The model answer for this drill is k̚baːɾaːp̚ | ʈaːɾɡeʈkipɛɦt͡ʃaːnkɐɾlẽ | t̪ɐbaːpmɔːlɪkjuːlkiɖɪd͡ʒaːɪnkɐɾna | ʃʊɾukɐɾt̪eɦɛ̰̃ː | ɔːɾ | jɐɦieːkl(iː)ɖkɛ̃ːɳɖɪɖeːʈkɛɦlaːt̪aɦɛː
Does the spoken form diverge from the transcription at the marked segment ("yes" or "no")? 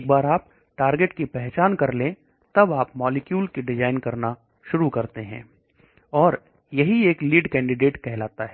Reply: no